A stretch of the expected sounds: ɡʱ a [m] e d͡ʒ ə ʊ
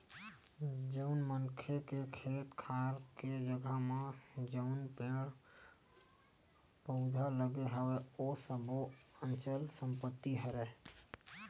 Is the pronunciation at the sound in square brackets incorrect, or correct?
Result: correct